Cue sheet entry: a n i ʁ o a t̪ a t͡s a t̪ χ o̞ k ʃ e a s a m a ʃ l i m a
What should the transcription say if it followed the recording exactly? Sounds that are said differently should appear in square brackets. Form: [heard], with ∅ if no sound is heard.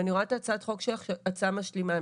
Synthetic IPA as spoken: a n i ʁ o a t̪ a t͡s a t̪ χ o̞ k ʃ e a [t͡s] a m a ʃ l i m a